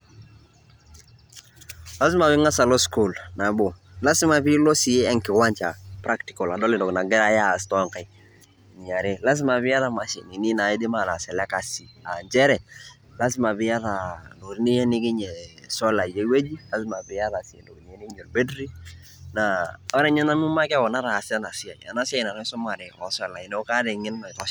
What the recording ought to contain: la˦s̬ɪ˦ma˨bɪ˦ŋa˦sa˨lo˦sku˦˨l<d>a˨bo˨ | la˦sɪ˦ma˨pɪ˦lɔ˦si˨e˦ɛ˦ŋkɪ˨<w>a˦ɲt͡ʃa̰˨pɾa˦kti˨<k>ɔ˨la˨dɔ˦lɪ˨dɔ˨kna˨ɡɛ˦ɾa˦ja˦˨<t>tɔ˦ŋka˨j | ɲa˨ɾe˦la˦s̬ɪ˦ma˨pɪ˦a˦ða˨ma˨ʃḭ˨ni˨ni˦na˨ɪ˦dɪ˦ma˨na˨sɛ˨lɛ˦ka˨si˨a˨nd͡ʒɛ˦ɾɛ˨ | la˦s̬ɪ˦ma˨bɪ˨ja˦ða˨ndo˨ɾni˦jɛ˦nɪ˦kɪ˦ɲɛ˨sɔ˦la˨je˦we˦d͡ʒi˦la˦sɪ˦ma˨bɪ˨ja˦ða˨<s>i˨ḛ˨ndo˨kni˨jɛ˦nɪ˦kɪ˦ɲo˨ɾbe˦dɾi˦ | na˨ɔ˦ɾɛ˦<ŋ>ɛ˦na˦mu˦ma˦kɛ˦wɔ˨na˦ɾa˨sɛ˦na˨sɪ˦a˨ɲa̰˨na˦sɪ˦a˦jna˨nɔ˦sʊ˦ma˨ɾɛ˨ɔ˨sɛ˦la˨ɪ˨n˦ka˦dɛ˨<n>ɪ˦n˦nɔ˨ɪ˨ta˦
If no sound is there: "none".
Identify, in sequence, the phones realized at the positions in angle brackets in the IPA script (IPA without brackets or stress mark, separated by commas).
n, w, k, s, s, ɲ, ŋ